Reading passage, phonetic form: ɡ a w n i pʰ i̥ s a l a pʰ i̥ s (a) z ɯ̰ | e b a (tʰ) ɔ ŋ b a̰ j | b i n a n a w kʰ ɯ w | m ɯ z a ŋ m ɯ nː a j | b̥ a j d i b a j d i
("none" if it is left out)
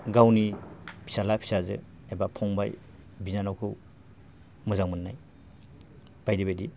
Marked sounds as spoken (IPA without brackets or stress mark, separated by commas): a, pʰ